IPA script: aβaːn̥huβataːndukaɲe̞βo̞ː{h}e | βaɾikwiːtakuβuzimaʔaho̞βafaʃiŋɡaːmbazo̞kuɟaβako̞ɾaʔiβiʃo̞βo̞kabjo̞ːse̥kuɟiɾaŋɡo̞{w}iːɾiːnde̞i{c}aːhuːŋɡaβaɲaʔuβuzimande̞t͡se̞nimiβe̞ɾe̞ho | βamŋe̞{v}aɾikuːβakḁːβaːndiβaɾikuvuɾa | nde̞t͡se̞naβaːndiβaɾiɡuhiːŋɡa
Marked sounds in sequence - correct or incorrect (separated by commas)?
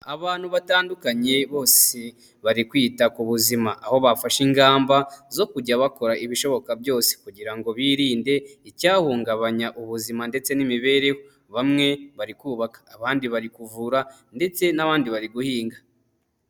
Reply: incorrect, incorrect, correct, incorrect